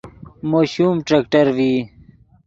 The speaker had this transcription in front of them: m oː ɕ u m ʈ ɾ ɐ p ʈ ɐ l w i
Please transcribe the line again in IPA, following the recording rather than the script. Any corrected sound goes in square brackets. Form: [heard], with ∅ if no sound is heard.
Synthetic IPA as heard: m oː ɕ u m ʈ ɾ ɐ [k] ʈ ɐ [ɾ] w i